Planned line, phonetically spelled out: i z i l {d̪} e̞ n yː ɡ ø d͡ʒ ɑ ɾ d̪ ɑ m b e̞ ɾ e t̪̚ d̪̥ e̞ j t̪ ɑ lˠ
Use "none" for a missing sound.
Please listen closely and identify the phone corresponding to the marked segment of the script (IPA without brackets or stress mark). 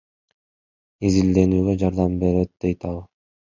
d̪